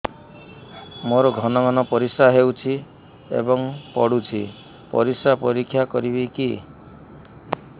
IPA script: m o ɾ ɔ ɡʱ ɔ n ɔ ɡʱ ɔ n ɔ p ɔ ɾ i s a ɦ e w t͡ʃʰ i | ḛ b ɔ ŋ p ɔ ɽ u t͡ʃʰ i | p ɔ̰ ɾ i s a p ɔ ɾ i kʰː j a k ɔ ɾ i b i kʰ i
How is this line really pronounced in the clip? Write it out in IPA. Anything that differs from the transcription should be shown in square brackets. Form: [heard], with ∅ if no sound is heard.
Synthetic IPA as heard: m o ɾ ɔ ɡʱ ɔ n ɔ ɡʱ ɔ n ɔ p ɔ ɾ i s a ɦ e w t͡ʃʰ i | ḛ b ɔ ŋ p ɔ ɽ u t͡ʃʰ i | p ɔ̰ ɾ i s a p ɔ ɾ i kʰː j a k ɔ ɾ i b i [k] i